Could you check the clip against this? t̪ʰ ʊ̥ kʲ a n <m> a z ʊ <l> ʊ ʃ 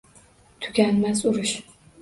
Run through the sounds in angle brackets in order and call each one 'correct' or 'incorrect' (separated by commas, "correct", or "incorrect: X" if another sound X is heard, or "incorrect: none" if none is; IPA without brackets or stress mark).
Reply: correct, incorrect: ɾ